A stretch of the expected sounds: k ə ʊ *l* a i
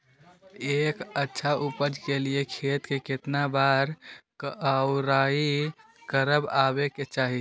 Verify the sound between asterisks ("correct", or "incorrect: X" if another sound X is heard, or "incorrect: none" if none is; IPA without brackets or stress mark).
incorrect: ɾ